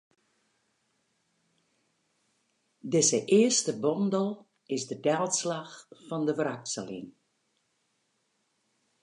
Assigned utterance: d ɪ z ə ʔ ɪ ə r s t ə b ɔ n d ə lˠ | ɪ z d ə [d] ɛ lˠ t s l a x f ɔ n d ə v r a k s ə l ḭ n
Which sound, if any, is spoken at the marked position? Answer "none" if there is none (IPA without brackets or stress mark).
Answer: d